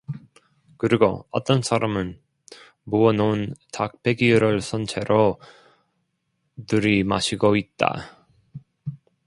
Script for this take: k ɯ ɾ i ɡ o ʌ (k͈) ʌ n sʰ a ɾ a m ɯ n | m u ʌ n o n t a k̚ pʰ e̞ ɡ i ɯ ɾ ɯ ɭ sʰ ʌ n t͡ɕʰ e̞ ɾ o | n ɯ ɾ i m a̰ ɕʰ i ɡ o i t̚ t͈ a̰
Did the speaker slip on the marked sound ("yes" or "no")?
yes